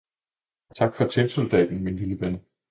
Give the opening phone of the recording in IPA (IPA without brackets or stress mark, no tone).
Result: t͡sʰ